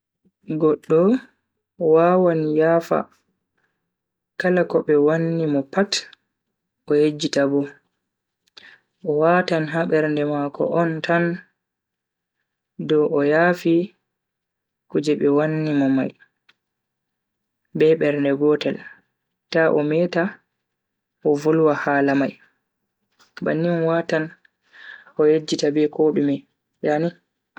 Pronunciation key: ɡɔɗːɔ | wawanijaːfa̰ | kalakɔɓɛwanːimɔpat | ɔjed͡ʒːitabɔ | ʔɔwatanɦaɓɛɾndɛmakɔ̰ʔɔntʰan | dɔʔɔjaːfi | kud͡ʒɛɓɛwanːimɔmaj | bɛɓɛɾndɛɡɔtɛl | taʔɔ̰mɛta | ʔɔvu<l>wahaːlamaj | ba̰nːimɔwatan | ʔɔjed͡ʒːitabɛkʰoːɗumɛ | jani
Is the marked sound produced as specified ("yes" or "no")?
yes